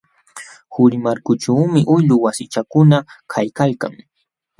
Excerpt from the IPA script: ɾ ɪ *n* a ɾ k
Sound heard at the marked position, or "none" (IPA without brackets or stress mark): m